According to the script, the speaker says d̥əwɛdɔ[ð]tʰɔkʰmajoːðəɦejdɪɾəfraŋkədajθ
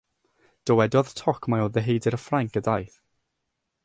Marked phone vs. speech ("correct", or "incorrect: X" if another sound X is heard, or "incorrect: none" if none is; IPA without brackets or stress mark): correct